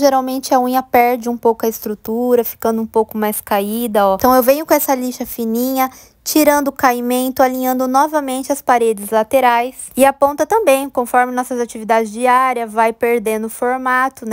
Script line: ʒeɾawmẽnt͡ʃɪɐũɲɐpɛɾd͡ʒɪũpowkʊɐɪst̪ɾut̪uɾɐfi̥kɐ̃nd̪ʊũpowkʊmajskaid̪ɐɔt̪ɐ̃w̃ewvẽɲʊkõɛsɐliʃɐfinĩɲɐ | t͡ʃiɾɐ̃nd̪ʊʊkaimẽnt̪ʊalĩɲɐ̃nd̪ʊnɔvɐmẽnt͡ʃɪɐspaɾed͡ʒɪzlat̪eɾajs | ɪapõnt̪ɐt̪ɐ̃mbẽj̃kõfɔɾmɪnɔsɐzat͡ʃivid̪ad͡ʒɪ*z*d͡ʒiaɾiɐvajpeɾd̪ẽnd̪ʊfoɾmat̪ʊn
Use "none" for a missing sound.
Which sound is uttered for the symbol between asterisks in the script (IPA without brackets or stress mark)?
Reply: z